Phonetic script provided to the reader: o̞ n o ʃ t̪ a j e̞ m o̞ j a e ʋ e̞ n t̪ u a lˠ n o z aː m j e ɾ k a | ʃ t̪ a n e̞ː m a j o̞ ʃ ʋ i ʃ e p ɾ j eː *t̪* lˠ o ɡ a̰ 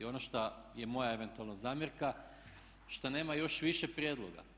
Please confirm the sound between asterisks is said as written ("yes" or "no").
no